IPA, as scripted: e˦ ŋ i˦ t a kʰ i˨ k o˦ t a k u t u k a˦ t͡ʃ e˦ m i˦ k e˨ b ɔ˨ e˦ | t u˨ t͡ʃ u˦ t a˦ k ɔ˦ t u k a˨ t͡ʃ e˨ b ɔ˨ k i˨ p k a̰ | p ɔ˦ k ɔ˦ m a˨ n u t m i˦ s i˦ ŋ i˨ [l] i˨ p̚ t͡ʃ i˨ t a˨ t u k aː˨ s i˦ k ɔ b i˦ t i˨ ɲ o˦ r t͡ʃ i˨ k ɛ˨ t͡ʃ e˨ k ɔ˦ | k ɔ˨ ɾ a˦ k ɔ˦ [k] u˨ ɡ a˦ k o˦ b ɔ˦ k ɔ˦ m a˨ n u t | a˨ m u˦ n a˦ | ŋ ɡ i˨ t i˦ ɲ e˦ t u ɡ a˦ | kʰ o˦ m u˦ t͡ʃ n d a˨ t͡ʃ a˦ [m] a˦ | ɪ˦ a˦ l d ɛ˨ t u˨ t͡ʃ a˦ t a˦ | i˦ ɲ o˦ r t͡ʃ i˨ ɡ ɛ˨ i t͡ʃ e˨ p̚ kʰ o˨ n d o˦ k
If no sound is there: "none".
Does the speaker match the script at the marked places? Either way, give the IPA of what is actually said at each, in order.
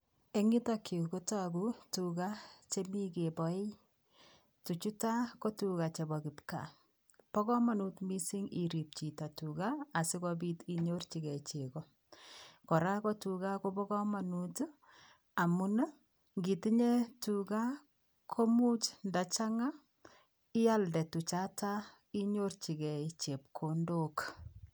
ɾ, t, ŋ

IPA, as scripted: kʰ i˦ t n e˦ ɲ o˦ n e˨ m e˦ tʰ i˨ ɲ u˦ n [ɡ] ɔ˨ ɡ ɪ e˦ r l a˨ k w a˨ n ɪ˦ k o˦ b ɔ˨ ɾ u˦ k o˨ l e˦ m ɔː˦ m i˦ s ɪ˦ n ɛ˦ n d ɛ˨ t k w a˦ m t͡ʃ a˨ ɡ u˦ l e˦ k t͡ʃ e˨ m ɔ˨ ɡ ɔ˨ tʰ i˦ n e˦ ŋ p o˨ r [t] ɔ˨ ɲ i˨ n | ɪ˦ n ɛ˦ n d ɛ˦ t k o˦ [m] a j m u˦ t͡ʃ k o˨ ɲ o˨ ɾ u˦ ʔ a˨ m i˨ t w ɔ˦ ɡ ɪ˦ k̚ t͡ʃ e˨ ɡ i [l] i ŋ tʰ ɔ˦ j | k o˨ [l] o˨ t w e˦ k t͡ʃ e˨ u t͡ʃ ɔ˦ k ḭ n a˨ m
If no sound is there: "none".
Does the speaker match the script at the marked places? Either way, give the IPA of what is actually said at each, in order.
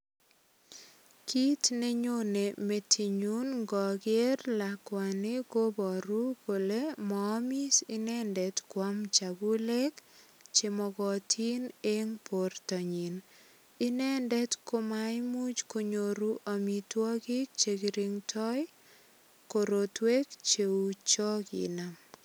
ɡ, t, m, ɾ, ɾ

